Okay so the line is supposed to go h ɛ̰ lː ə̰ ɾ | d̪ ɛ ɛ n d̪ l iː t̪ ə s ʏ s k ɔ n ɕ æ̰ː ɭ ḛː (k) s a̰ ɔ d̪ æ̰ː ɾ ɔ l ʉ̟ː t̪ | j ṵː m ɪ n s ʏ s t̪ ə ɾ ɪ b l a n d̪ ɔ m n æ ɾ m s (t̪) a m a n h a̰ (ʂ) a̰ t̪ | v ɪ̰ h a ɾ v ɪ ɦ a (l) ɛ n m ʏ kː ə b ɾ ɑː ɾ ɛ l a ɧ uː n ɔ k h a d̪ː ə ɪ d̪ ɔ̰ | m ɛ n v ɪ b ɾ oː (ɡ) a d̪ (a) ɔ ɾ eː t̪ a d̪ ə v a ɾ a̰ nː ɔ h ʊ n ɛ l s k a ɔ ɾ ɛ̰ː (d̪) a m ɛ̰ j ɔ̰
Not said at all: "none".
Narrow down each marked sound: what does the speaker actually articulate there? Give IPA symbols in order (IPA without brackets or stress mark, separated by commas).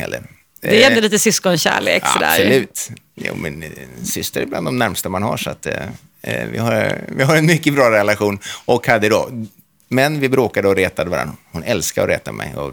k, t̪, ʂ, ɾ, k, ə, t̪